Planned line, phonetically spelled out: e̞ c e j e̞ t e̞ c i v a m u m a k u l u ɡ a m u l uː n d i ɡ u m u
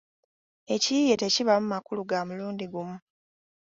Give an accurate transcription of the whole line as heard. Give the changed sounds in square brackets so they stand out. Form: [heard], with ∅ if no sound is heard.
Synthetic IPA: e̞ c [i] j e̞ t e̞ c i [β] a m u m a k u l u ɡ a m u l uː n d i ɡ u m u